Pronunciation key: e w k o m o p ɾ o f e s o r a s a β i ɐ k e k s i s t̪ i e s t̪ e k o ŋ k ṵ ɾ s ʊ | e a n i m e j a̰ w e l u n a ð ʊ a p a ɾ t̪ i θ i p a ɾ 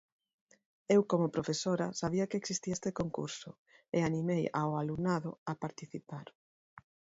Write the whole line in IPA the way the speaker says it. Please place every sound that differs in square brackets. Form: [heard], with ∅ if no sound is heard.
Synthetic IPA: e w k o m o p ɾ o f e s o [ɾ] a s a β i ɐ k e k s i s t̪ i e s t̪ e k o ŋ k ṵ ɾ s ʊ | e a n i m e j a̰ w [a] l u n a ð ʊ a p a ɾ t̪ i θ i p a ɾ

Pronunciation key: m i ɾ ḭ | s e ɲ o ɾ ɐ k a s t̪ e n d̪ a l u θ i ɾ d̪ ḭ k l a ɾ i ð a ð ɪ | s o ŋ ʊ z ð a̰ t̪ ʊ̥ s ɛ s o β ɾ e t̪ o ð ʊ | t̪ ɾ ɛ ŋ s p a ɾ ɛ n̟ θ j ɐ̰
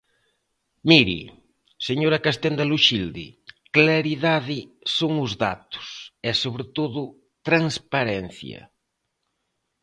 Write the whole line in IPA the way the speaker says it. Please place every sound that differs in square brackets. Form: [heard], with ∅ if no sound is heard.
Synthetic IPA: m i ɾ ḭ | s e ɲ o ɾ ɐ k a s t̪ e n d̪ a l u [ʃ] i [l] d̪ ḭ k l a ɾ i ð a ð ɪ | s o ŋ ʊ z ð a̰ t̪ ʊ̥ s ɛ s o β ɾ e t̪ o ð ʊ | t̪ ɾ [a] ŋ s p a ɾ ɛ n̟ θ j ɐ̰

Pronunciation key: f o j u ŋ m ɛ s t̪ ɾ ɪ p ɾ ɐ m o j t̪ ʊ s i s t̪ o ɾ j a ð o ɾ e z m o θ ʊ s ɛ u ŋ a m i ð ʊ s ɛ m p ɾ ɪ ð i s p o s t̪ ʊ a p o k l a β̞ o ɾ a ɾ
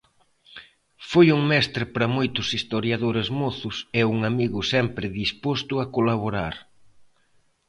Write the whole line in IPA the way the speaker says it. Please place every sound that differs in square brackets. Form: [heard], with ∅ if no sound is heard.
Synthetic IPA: f o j u ŋ m ɛ s t̪ ɾ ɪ p ɾ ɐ m o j t̪ ʊ s i s t̪ o ɾ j a ð o ɾ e z m o θ ʊ s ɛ u ŋ a m i [ɣ] ʊ s ɛ m p ɾ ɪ ð i s p o s t̪ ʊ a [k] o [∅] l a β̞ o ɾ a ɾ

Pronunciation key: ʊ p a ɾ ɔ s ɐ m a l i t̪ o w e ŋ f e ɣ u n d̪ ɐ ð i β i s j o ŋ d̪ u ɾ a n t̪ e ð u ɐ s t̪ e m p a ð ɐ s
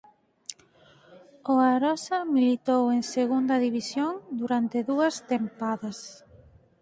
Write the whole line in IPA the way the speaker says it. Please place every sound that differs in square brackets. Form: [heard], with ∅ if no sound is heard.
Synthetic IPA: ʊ [∅] a ɾ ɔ s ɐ m [i] l i t̪ o w e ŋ [s] e ɣ u n d̪ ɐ ð i β i s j o ŋ d̪ u ɾ a n t̪ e ð u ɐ s t̪ e m p a ð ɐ s

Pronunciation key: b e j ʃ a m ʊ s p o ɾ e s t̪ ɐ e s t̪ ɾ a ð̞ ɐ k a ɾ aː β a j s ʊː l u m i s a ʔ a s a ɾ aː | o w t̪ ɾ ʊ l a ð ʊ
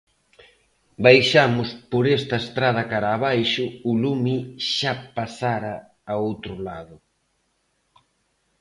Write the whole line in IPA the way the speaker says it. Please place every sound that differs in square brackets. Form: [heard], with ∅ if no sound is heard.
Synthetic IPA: b [a] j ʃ a m ʊ s p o ɾ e s t̪ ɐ e s t̪ ɾ a ð̞ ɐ k a ɾ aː β a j [ʃ] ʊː l u m i [ʃ] a [p] a s a ɾ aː | o w t̪ ɾ ʊ l a ð ʊ

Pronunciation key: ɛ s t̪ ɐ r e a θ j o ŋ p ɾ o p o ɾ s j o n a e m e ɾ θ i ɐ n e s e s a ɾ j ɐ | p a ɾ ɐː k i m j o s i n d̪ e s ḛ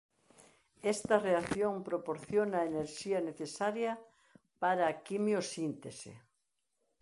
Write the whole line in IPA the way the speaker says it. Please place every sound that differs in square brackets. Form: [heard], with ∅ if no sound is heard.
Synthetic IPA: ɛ s t̪ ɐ r e a θ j o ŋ p ɾ o p o ɾ [θ] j o n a e [n] e ɾ [ʃ] i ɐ n e [θ] e s a ɾ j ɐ | p a ɾ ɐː k i m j o s i n [t̪] e s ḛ

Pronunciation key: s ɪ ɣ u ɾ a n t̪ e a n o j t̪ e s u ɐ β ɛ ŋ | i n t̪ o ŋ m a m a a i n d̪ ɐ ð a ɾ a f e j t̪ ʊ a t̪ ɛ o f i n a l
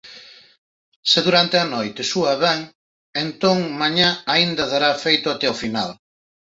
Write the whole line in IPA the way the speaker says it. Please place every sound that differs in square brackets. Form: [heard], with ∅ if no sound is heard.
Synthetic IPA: s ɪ [ð] u ɾ a n t̪ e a n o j t̪ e s u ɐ β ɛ ŋ | [e] n t̪ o ŋ m a [ɲ] a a i n d̪ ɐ ð a ɾ a f e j t̪ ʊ a t̪ ɛ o f i n a l

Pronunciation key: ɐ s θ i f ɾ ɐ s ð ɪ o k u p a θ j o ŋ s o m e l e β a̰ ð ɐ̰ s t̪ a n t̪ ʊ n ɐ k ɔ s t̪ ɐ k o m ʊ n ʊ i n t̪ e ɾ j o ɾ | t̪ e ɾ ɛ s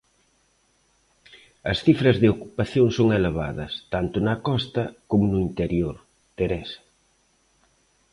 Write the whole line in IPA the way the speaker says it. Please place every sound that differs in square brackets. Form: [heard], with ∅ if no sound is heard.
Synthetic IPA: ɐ s θ i f ɾ ɐ [z] ð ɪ o k u p a θ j o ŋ s o [ŋ] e l e β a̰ ð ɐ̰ s t̪ a n t̪ ʊ n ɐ k ɔ s t̪ ɐ k o m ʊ n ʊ i n t̪ e ɾ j o ɾ | t̪ e ɾ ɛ s

